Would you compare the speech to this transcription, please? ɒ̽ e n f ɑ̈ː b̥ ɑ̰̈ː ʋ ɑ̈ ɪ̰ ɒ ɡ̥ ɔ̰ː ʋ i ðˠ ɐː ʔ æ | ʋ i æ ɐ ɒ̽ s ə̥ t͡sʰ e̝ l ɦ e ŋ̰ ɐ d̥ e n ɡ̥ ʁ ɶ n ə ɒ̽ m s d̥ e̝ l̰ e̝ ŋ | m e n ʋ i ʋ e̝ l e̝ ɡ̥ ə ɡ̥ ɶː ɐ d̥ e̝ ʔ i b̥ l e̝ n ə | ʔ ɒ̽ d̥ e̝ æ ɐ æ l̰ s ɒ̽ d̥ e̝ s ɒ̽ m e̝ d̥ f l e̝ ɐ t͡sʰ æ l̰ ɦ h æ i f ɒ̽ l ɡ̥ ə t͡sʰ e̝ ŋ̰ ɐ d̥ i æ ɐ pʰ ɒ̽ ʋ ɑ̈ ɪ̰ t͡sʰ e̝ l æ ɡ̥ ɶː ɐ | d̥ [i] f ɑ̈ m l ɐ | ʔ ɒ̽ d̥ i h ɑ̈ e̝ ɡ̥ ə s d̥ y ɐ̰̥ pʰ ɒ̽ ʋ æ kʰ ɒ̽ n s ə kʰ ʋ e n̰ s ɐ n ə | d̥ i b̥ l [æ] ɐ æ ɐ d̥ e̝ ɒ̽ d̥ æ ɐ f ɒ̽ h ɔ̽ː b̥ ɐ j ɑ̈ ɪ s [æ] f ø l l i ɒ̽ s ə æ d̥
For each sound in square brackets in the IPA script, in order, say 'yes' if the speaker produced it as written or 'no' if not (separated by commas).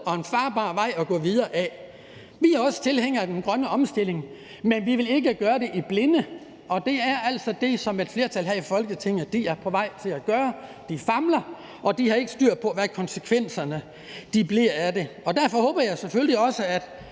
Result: yes, no, no